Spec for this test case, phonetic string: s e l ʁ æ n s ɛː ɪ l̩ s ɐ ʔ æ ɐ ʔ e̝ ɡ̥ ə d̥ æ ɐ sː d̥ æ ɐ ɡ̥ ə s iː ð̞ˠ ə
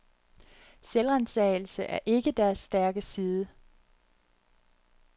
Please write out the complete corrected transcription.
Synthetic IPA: s e l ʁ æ n s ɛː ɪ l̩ s ə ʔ æ ɐ ʔ e̝ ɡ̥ ə d̥ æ ɐ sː d̥ æ ɐ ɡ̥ ə s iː ð̞ˠ ə